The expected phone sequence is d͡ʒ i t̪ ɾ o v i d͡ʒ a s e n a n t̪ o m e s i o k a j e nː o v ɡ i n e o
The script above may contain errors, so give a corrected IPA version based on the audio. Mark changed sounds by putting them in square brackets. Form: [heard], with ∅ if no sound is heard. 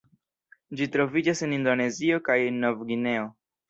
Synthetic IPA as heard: d͡ʒ i t̪ ɾ o v i d͡ʒ a s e n [i] n [d̪] o [n] e [z] i o k a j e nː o v ɡ i n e o